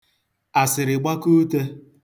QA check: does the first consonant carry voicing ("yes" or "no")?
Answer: no